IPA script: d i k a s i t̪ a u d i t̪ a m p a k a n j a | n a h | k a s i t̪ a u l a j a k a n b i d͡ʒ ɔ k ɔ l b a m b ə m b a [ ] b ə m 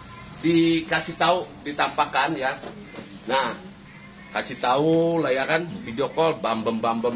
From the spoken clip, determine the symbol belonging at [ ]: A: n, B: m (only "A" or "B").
B